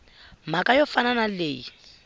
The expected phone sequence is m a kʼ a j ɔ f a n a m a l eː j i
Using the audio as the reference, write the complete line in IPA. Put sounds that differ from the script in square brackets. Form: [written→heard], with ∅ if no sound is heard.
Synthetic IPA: m a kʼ a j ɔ f a n a [m→n] a l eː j i